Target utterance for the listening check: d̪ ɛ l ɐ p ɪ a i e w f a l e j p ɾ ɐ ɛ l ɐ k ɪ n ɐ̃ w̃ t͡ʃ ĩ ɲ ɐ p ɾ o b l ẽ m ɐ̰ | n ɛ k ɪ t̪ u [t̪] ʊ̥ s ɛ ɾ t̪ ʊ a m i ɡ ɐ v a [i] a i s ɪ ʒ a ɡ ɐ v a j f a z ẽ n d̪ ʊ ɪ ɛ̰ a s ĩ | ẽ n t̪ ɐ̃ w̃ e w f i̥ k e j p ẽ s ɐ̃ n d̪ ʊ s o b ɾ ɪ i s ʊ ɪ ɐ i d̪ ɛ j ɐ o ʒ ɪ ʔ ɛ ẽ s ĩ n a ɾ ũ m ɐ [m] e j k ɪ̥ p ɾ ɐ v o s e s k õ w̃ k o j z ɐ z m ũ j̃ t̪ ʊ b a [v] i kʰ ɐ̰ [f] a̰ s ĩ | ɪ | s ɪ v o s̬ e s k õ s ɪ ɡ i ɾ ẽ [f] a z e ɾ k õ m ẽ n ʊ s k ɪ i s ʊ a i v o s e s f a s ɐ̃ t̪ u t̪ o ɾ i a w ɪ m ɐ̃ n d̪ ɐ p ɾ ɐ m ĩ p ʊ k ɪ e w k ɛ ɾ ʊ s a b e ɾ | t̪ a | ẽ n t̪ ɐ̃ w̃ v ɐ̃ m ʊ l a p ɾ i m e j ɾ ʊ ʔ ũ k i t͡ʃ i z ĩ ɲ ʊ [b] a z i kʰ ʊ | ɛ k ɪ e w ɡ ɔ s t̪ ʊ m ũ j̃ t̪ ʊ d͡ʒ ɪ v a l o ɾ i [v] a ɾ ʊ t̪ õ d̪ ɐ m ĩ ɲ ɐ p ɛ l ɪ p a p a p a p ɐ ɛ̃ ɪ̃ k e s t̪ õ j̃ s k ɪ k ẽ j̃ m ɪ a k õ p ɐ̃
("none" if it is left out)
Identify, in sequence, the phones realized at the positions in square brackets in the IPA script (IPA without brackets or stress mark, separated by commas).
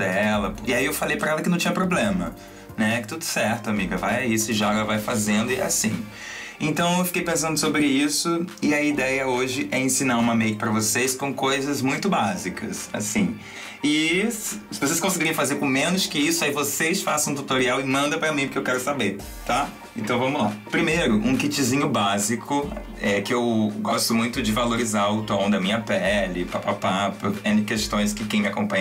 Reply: d̪, j, m, z, s, f, b, z